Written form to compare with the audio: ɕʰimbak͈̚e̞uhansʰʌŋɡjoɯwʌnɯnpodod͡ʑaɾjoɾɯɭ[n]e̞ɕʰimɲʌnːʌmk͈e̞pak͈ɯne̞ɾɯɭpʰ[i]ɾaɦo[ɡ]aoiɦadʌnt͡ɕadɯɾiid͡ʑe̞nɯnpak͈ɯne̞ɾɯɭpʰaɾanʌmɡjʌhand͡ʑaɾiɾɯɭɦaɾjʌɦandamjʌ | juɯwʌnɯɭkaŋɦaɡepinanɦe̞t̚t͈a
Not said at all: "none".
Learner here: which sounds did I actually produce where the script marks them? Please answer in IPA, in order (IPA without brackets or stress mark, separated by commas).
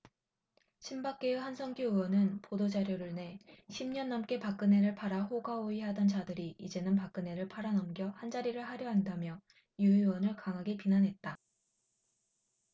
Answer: n, a, ɡ